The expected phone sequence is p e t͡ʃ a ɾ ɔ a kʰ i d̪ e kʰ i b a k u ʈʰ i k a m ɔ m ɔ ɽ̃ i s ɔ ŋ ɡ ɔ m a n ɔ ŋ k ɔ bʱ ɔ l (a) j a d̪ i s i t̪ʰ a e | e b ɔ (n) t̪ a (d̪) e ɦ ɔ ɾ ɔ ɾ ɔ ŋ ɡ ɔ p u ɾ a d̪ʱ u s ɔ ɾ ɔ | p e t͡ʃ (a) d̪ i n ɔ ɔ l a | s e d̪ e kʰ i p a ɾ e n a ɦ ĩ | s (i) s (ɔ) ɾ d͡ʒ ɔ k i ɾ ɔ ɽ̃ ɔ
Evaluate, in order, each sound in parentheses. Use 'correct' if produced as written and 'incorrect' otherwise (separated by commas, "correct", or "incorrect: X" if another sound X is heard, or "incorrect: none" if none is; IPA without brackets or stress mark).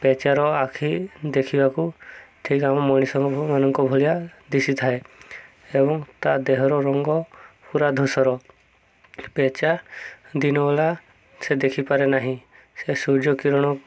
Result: incorrect: i, incorrect: ŋ, correct, correct, incorrect: e, incorrect: u